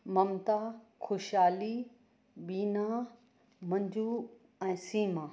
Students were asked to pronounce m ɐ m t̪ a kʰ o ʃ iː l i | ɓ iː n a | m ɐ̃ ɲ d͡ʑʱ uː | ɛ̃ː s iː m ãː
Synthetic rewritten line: m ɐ m t̪ a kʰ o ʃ aː l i | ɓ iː n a | m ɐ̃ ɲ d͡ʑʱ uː | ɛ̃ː s iː m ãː